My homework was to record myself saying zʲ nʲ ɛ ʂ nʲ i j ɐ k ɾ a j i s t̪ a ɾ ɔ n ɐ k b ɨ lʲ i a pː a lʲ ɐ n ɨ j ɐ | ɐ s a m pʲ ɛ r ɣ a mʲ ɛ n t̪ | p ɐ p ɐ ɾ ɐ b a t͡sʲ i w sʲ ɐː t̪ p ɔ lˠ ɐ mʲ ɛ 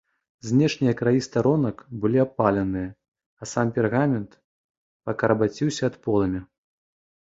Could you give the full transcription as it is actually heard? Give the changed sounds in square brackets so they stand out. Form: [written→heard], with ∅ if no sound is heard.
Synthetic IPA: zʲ nʲ ɛ ʂ nʲ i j ɐ k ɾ a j i s t̪ a ɾ ɔ n ɐ k b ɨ lʲ i a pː a lʲ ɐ n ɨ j ɐ | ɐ s a m pʲ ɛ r ɣ a mʲ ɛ n t̪ | p ɐ [p→k] ɐ ɾ ɐ b a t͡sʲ i w sʲ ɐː t̪ p ɔ lˠ ɐ mʲ [ɛ→i]